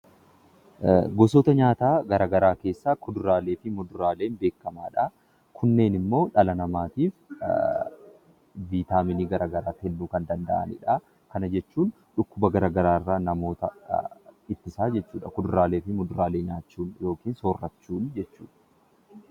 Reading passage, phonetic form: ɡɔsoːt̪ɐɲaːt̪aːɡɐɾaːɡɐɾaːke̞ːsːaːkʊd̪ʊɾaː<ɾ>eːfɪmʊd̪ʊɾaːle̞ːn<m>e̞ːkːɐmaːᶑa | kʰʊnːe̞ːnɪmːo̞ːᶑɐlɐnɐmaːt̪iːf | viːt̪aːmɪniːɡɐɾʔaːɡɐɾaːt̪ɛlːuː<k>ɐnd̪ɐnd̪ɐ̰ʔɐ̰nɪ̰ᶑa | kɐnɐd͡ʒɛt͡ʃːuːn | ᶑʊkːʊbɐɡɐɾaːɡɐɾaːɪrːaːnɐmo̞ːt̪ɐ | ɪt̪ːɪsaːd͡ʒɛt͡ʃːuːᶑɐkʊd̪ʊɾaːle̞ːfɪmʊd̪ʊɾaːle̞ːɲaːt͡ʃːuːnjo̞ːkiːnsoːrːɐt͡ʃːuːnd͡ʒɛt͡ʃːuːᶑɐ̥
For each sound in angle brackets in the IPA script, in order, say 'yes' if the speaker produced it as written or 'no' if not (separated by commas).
no, no, yes